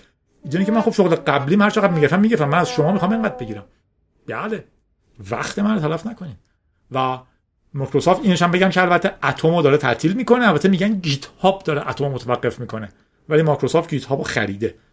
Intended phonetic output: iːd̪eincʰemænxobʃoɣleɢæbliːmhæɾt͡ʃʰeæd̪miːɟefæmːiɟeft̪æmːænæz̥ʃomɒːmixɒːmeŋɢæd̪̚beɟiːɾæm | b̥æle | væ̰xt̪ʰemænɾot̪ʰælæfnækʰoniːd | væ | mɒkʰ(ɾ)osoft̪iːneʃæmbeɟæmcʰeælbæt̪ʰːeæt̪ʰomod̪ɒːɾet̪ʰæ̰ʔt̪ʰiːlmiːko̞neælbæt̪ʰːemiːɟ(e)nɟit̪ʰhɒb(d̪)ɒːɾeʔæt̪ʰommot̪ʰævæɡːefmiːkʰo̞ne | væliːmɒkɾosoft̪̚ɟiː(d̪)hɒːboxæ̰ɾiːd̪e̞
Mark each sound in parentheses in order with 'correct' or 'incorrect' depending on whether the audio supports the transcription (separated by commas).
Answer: correct, incorrect, correct, incorrect